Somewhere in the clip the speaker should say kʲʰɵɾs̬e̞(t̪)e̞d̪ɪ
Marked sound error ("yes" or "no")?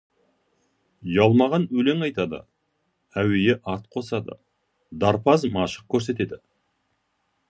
no